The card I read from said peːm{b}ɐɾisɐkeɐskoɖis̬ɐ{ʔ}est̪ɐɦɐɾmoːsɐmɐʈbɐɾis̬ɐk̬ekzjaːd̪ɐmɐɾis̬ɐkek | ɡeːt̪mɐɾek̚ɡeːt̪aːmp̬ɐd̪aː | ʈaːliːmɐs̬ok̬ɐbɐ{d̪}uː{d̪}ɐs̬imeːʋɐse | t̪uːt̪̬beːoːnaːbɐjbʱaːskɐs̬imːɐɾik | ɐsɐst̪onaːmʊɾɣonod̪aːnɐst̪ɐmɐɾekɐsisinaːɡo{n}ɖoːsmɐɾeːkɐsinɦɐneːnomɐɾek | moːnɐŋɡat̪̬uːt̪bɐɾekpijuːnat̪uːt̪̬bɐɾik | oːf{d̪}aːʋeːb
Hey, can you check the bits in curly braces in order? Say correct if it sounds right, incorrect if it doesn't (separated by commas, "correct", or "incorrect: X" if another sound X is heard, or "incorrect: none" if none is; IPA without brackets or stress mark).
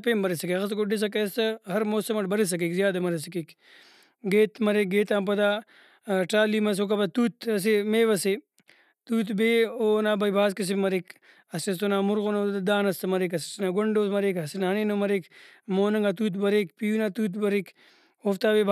correct, incorrect: k, incorrect: t̪, incorrect: t̪, incorrect: ɳ, incorrect: t̪